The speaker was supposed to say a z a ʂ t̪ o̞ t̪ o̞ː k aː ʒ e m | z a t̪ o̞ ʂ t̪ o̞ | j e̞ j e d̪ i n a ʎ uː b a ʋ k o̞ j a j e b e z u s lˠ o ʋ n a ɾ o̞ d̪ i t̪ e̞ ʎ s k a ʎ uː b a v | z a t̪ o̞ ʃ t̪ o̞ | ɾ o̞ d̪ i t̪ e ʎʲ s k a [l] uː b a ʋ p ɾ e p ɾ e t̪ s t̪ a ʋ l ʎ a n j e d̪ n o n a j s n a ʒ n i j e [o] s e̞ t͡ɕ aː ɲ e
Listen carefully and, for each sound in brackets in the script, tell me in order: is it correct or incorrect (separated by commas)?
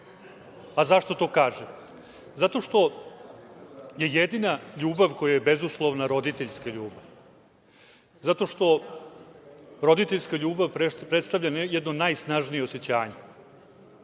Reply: incorrect, correct